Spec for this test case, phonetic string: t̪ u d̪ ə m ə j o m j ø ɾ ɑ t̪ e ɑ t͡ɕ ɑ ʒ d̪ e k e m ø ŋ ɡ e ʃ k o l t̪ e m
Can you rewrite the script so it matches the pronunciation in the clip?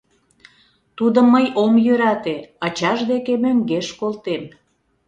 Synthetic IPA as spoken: t̪ u d̪ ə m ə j o m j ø ɾ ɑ t̪ e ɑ t͡ɕ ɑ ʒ d̪ e k e m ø ŋ ɡ e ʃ k o l t̪ e m